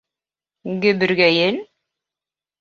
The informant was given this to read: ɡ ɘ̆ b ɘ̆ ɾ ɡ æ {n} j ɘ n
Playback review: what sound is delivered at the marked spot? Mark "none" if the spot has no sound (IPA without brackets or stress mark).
none